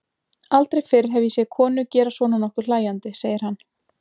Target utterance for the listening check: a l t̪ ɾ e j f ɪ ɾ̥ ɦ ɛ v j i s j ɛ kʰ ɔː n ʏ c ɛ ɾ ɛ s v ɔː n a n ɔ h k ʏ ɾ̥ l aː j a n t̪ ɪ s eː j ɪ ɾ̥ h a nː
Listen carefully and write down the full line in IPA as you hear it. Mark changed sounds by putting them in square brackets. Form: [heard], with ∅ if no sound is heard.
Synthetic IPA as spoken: a l t̪ ɾ e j f ɪ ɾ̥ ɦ ɛ v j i s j ɛ kʰ ɔː n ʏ c [ɛː] ɾ [a] s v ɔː n a n ɔ h k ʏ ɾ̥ l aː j a n t̪ ɪ s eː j ɪ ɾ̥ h a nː